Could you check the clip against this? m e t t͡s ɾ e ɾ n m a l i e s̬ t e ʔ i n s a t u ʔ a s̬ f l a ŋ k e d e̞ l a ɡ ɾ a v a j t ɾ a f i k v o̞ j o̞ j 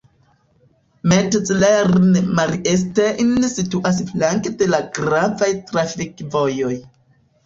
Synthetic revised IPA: m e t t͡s l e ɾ n m a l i e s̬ t e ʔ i n s i t u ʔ a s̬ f l a ŋ k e d e̞ l a ɡ ɾ a v a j t ɾ a f i k v o̞ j o̞ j